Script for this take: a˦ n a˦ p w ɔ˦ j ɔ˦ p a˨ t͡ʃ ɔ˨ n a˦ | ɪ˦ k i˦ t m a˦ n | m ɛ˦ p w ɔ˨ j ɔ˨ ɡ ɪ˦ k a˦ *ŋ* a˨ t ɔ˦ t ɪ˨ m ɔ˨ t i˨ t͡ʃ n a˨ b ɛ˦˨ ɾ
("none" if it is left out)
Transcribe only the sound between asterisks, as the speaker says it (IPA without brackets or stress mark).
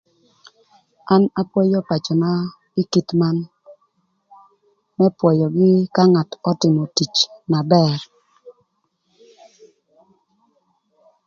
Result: ŋ